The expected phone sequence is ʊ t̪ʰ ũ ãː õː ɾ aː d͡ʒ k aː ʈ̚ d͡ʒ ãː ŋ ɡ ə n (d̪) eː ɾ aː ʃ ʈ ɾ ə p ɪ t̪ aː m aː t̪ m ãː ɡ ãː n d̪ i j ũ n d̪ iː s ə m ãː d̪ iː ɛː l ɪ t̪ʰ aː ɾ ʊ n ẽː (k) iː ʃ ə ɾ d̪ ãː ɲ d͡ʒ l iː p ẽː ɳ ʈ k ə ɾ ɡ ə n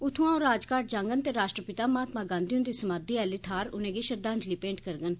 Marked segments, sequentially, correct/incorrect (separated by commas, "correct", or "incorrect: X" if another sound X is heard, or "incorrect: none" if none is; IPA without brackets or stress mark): incorrect: t̪, incorrect: ɡ